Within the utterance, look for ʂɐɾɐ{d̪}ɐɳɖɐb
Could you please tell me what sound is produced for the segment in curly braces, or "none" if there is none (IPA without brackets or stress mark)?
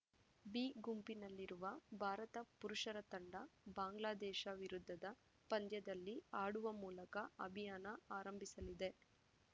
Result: t̪